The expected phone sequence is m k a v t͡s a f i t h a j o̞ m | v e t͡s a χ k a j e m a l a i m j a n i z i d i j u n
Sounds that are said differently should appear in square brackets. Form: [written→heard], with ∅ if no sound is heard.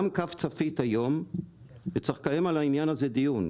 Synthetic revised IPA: m k a [v→f] t͡s a f i t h a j o̞ m | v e t͡s a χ k a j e m a l a i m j a n [i→a] z [i→e] d i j u n

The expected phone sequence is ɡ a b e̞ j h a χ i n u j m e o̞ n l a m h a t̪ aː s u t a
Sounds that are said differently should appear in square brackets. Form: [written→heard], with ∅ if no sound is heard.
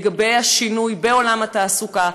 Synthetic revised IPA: ɡ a b e̞ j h a [χ→ʃ] i n u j [m→b] e o̞ [n→∅] l a m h a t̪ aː s u [t→k] a

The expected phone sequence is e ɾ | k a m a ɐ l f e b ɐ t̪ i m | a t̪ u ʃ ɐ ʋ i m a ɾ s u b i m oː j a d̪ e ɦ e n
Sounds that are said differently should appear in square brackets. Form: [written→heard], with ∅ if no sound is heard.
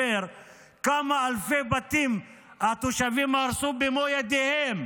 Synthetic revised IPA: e ɾ | k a m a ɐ l f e b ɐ t̪ i m | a t̪ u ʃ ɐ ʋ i m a ɾ s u b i m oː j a d̪ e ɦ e [n→m]

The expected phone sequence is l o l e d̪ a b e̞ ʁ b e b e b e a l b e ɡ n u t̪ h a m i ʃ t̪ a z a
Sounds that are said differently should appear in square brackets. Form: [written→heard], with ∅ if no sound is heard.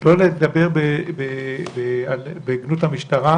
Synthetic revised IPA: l o l e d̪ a b e̞ ʁ b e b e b e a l b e ɡ n u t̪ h a m i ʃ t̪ a [z→ʁ] a

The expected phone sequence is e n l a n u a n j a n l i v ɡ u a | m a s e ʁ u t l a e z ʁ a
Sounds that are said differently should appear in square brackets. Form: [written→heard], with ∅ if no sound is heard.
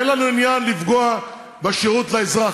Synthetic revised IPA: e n l a n u [a→i] n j a n l i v ɡ [u→o] a | [m→b] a [s→ʃ] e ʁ u t l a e z ʁ a

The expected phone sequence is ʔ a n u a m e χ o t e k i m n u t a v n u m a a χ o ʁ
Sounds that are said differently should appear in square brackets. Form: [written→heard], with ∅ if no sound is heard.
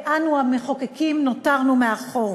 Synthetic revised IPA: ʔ a n u a m e χ o [t→k] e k i m n [u→o] t a [v→ʁ] n u m [a→e] a χ o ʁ

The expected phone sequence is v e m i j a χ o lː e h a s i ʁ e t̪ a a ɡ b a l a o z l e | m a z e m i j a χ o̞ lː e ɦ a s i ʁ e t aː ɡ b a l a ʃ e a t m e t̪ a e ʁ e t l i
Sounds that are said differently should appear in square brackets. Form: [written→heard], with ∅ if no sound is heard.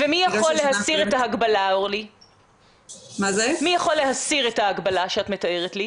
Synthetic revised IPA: v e m i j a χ o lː e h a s i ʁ e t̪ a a ɡ b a l a o [z→ʁ] l [e→i] | m a z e m i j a χ o̞ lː e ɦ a s i ʁ e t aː ɡ b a l a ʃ e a t m e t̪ a e ʁ e t l i

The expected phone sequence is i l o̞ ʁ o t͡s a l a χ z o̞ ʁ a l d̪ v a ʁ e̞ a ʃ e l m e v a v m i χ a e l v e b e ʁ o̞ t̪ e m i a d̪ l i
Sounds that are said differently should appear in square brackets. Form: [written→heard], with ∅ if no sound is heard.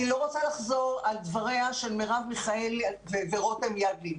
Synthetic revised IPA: i l o̞ ʁ o t͡s a l a χ z o̞ ʁ a l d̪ v a ʁ e̞ a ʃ e l m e [v→ʁ] a v m i χ a e l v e [b→v] e ʁ o̞ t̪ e m [i→j] a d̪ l i

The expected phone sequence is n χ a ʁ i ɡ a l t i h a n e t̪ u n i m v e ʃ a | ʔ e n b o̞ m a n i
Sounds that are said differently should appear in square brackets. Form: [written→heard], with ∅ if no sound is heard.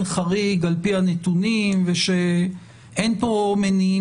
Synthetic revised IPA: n χ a ʁ i ɡ a l [t→p] i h a n e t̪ u n i m v e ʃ [a→e] | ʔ e n [b→p] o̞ m [a→e] n i

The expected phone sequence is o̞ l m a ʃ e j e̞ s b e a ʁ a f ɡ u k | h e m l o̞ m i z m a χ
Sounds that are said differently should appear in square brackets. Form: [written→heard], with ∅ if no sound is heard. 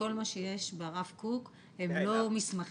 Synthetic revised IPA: o̞ l m a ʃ e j e̞ [s→ʃ] b e a ʁ a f [ɡ→k] u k | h e m l o̞ m i [z→s] m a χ

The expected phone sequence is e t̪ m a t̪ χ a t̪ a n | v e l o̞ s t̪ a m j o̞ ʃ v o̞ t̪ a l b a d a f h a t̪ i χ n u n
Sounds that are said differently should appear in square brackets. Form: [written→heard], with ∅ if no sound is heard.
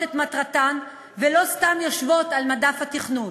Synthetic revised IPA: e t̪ m a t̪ [χ→ʁ] a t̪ a n | v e l o̞ s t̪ a m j o̞ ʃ v o̞ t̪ a l [b→m] a d a f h a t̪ i χ n u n

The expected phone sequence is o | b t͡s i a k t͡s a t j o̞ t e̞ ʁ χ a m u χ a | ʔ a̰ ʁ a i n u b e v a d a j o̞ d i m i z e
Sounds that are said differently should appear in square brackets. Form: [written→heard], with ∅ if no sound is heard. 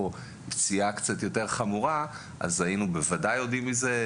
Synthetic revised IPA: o | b t͡s i a k t͡s a t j o̞ t e̞ ʁ χ a m u [χ→ʁ] a | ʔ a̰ [ʁ→z] a i n u b e v a d a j o̞ d i m i z e

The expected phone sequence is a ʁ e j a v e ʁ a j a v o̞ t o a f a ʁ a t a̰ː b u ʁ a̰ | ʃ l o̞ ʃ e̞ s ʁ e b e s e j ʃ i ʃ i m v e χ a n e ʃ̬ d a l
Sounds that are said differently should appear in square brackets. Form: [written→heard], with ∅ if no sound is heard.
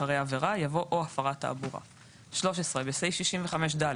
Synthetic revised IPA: a ʁ e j a v e ʁ a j a v o̞ [t→ʔ] o a f a ʁ a t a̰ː b u ʁ a̰ | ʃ l o̞ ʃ e̞ s ʁ e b e s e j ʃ i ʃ i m v e χ a [n→m] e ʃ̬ d a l

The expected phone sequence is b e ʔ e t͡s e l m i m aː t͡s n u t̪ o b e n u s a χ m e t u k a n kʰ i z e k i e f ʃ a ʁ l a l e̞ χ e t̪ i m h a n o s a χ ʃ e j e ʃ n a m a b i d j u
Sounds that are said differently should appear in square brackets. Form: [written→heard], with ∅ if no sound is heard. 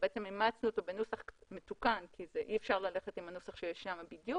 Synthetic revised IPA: b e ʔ e t͡s e [l→∅] m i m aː t͡s n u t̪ o b e n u s a χ m e t u k a n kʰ i z e [k→ʔ] i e f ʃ a ʁ l a l e̞ χ e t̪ i m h a n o s a χ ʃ e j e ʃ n a m a b i d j u

